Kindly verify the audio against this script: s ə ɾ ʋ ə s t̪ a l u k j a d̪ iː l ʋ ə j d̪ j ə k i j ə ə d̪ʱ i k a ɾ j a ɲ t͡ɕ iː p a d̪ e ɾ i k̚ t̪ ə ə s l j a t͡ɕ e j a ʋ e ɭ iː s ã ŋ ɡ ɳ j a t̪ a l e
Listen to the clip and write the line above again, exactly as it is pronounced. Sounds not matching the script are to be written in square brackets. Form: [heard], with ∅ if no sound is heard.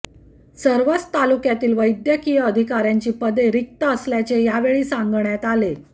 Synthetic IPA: s ə ɾ ʋ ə [t͡s] t̪ a l u k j a [t̪] iː l ʋ ə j d̪ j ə k i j ə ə d̪ʱ i k a ɾ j a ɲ t͡ɕ iː p [ə] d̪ e ɾ i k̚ t̪ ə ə s l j a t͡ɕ e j a ʋ e ɭ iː s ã ŋ ɡ ɳ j a t̪ a l e